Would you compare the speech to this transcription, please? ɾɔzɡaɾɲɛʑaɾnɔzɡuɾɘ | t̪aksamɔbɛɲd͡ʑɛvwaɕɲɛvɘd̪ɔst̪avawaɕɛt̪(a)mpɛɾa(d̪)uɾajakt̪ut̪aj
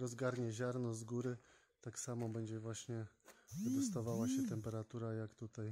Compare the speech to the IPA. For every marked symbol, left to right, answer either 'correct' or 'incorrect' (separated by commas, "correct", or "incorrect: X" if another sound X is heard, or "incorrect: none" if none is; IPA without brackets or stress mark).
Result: incorrect: ɛ, incorrect: t̪